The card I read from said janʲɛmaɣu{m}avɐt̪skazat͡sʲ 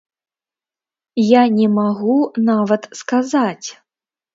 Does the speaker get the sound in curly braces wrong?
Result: yes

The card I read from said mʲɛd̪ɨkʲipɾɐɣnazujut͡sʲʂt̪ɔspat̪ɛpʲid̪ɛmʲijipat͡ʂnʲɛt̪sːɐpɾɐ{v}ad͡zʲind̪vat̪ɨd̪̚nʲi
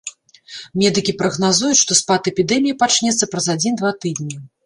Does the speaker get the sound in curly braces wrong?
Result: yes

